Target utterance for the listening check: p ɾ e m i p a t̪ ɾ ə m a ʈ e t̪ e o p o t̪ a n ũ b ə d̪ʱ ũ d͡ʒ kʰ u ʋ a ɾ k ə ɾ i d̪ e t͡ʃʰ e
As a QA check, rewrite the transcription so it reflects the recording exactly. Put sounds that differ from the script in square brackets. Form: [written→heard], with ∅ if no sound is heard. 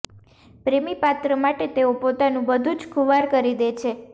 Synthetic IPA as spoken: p ɾ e m i p a t̪ ɾ ə m a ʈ e t̪ e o p o t̪ a n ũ b ə d̪ʱ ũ d͡ʒ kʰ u ʋ a ɾ k ə ɾ i d̪ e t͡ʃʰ e